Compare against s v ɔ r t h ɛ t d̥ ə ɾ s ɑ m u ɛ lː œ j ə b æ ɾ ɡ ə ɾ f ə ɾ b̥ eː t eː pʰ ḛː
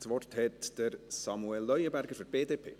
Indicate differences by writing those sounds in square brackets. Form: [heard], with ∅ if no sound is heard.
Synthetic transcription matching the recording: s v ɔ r t h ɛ t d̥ ə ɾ s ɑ m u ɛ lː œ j ə b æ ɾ ɡ ə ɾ f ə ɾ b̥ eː [d] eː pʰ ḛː